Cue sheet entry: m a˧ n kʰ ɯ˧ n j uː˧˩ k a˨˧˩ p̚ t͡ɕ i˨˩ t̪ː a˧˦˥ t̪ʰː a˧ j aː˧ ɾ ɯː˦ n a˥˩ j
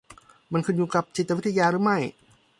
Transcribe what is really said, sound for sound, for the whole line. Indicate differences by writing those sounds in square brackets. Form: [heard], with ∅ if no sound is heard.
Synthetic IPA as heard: m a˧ n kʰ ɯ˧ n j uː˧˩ k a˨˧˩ p̚ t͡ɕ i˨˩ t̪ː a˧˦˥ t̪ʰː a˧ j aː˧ ɾ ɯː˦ [m] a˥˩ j